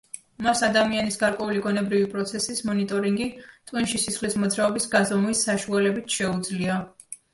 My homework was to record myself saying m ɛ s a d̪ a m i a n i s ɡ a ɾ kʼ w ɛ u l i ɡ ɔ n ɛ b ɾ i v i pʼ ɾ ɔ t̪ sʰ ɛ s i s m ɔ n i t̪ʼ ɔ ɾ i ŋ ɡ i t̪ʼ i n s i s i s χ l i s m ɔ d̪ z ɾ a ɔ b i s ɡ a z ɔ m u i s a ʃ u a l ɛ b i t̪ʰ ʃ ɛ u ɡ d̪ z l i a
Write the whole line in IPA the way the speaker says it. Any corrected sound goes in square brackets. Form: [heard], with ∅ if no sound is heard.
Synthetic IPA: m [a] s a d̪ a m i a n i s ɡ a ɾ kʼ w ɛ u l i ɡ ɔ n ɛ b ɾ i v i pʼ ɾ ɔ t̪ sʰ ɛ s i s m ɔ n i t̪ʼ ɔ ɾ i ŋ ɡ i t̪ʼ i n [ʃ] i s i s χ l i s m ɔ d̪ z ɾ a ɔ b i s ɡ a z ɔ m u i s a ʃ u a l ɛ b i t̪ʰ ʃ ɛ u [∅] d̪ z l i a